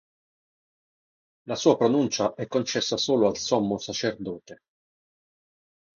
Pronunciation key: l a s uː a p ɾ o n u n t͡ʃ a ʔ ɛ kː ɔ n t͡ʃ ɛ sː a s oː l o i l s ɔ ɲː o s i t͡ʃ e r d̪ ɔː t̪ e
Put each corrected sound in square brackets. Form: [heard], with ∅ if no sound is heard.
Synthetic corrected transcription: l a s uː a p ɾ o n u n t͡ʃ a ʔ ɛ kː [o] n t͡ʃ ɛ sː a s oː l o [a] l s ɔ [mː] o s [a] t͡ʃ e r d̪ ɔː t̪ e